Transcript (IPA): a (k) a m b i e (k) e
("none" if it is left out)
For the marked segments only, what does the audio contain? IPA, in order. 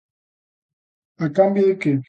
k, k

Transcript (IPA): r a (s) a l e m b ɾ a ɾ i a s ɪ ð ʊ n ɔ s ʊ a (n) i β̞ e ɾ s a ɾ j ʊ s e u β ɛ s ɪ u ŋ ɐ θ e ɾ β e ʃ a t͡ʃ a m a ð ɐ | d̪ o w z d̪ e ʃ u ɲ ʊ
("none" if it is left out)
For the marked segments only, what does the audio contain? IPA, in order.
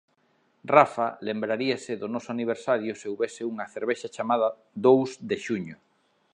f, n

